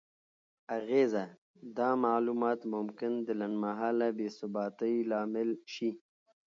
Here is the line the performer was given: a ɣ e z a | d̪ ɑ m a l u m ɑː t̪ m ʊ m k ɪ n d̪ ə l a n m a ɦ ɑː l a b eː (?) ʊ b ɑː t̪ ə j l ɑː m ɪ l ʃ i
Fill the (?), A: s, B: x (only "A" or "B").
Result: A